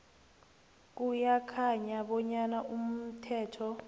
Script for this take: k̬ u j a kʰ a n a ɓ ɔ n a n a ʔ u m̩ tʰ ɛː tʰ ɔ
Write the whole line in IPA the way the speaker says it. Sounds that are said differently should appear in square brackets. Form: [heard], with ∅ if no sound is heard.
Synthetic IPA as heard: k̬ u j a kʰ a [ɲ] a ɓ ɔ [ɲ] a n a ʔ u m̩ tʰ ɛː tʰ ɔ